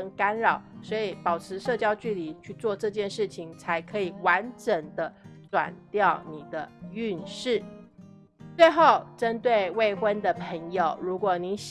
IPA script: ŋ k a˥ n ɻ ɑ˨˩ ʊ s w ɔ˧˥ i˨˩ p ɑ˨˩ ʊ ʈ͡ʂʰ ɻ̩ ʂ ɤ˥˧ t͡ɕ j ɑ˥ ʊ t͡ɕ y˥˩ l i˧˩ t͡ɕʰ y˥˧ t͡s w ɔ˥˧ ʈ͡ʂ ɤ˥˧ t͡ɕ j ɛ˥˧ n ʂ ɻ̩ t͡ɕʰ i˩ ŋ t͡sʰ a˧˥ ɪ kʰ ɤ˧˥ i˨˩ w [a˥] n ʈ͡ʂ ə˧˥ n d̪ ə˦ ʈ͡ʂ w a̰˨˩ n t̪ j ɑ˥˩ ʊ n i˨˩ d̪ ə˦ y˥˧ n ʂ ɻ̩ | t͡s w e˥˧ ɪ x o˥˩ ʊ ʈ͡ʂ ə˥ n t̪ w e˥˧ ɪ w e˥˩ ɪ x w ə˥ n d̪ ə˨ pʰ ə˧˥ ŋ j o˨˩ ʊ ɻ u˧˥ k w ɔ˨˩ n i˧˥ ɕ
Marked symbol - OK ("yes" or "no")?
no